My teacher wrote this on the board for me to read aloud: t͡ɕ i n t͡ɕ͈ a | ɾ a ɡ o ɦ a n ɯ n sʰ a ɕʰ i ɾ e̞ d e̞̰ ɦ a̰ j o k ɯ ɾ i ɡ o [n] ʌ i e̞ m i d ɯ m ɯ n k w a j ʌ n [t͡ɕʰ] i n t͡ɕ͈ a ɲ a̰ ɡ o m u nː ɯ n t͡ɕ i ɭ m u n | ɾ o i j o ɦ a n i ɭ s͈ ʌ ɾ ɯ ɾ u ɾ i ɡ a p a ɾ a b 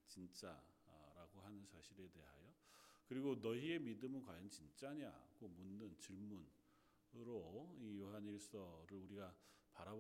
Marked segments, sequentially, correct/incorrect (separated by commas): correct, incorrect